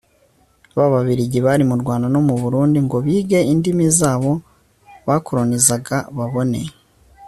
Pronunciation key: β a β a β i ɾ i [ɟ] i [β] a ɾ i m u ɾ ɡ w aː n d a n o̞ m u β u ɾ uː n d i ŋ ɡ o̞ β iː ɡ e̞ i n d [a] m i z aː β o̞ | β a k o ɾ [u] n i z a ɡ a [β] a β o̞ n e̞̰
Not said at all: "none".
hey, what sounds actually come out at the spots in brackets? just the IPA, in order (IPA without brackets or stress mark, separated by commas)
ɟ, β, i, o, β